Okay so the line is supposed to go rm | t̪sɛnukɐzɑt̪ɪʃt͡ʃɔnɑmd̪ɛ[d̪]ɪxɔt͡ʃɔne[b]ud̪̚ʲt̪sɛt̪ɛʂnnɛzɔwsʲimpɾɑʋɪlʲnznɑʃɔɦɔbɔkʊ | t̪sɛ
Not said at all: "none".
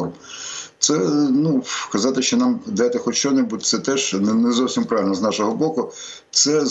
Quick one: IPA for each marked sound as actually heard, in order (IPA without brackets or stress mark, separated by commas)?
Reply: t̪, b